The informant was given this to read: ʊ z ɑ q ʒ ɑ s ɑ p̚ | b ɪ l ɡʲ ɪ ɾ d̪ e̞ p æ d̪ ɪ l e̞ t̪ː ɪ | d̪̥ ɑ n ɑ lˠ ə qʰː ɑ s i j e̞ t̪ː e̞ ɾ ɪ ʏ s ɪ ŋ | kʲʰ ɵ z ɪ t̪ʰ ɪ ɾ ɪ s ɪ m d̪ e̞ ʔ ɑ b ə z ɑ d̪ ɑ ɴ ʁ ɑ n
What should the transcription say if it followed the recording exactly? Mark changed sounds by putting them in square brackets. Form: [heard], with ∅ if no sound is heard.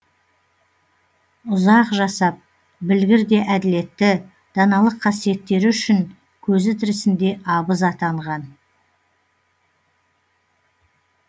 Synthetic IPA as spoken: ʊ z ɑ q ʒ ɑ s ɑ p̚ | b ɪ l ɡʲ ɪ ɾ d̪ e̞ [ʔ] æ d̪ ɪ l e̞ t̪ː ɪ | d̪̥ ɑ n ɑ lˠ ə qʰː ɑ s i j e̞ t̪ː e̞ ɾ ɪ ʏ [ʃ] ɪ ŋ | kʲʰ ɵ z ɪ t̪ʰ ɪ ɾ ɪ s ɪ [n] d̪ e̞ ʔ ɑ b ə z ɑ [t̪] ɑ ɴ ʁ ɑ n